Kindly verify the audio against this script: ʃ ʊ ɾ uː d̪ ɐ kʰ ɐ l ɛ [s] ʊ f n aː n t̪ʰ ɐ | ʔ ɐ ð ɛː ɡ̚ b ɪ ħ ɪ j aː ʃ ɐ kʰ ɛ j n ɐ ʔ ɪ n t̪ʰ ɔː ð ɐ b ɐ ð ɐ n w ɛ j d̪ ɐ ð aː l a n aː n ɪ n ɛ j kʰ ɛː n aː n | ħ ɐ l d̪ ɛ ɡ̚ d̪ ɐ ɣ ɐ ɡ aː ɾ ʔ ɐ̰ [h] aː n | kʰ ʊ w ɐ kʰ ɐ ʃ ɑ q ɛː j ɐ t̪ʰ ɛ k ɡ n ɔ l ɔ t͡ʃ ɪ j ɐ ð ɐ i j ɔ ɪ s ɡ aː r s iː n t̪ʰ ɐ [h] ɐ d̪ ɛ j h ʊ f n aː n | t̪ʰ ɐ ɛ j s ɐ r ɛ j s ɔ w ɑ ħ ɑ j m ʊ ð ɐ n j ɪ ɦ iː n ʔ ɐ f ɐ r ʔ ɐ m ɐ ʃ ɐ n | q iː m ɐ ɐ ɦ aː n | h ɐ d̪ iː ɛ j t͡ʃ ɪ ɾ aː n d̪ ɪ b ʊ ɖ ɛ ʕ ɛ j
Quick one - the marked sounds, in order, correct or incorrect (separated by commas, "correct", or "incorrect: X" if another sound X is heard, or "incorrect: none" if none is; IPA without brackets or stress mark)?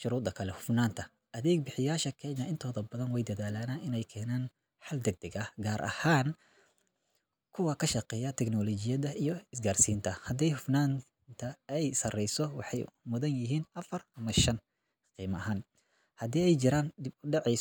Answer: incorrect: h, correct, correct